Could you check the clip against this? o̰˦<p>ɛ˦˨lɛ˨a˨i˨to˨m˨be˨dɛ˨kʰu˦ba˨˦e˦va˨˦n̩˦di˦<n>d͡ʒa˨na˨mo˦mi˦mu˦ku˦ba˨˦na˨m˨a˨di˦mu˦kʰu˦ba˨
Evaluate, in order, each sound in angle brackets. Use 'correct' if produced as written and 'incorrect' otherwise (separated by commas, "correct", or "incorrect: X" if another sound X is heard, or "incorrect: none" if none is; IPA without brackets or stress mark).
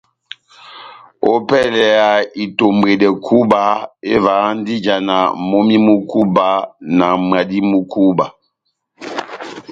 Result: correct, incorrect: none